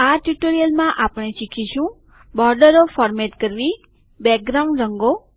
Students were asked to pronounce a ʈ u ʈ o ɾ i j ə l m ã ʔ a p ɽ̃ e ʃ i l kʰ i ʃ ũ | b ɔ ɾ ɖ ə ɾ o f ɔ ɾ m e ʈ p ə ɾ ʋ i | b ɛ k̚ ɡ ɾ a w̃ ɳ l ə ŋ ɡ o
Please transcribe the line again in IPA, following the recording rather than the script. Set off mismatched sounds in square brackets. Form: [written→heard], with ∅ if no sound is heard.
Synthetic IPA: a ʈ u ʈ o ɾ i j ə l m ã ʔ a p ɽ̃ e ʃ i [l→∅] kʰ i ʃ ũ | b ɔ ɾ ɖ ə ɾ o f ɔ ɾ m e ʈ [p→k] ə ɾ ʋ i | b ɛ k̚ ɡ ɾ a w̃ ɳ [l→ɾ] ə ŋ ɡ o